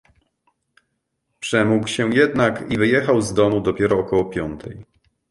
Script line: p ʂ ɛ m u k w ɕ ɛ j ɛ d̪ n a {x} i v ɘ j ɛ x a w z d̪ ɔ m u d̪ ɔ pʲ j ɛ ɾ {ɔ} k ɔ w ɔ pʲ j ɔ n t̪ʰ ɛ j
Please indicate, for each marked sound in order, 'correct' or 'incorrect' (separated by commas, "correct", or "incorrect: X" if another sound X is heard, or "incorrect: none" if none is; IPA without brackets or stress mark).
incorrect: k, incorrect: ɔː